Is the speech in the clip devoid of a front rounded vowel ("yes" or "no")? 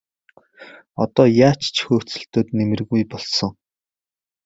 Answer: yes